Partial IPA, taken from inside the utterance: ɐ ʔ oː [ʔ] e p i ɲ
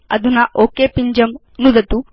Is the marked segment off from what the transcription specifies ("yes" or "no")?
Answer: yes